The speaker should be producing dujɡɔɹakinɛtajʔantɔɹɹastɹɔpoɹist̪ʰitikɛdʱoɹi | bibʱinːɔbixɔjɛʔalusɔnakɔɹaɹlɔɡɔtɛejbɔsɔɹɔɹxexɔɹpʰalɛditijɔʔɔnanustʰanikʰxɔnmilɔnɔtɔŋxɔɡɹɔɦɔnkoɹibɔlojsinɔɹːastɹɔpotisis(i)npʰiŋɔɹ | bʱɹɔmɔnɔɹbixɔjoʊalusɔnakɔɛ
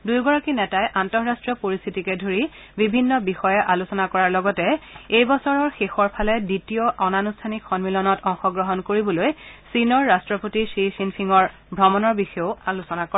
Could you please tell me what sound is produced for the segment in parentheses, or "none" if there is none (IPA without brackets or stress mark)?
i